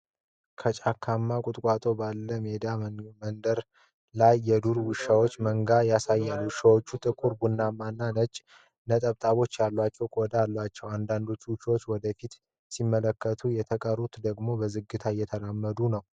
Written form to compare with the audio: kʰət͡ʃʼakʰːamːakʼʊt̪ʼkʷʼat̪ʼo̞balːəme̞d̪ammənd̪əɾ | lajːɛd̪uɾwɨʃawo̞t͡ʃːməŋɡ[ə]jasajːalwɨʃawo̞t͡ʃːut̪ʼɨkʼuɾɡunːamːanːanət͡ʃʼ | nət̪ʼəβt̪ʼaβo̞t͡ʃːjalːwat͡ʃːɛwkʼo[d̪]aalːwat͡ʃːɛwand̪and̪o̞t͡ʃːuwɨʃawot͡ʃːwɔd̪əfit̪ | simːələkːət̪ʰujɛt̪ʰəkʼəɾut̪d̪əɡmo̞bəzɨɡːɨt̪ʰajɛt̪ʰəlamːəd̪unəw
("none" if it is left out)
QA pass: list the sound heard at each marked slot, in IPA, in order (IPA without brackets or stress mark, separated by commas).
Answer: a, d̪